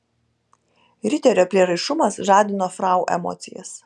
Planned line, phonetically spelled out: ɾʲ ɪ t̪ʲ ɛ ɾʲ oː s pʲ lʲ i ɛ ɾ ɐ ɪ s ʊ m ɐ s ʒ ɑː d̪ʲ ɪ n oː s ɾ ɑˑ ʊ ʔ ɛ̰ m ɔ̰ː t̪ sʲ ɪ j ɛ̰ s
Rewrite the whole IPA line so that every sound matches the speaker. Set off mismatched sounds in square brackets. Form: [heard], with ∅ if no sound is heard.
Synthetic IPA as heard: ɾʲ ɪ t̪ʲ ɛ ɾʲ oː [∅] pʲ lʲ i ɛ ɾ ɐ ɪ [ʃ] ʊ m ɐ s ʒ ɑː d̪ʲ ɪ n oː [f] ɾ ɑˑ ʊ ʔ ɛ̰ m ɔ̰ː t̪ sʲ ɪ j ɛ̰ s